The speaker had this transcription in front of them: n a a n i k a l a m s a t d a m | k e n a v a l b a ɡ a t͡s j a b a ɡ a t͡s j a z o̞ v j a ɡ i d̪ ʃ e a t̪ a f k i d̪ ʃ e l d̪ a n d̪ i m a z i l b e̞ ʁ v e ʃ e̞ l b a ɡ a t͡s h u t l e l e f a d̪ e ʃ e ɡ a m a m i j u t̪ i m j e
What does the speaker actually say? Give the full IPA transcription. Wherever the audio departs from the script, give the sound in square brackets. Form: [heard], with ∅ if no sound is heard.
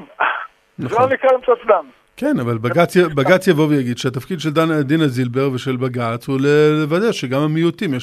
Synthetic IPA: n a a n i k a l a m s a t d a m | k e n a v a l b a ɡ a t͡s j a b a ɡ a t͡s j a [v] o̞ v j a ɡ i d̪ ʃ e a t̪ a f k i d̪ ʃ e l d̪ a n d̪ i [n] a z i l b e̞ ʁ v e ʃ e̞ l b a ɡ a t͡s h u [∅] l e l e [v] a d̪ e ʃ e ɡ a m a m i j u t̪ i m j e